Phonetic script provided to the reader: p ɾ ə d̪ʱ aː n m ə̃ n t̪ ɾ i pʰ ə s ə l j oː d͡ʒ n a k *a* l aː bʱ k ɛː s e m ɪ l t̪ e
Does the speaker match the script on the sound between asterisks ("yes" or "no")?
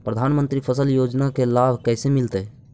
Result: no